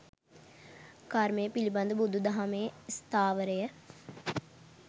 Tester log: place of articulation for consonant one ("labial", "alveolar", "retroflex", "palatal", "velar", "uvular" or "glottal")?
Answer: velar